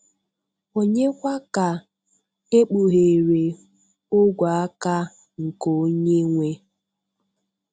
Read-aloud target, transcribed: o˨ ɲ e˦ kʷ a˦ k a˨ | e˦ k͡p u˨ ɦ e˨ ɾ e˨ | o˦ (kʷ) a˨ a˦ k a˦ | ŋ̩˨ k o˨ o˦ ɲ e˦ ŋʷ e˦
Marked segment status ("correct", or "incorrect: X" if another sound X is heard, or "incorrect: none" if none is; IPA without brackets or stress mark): incorrect: ɡʷ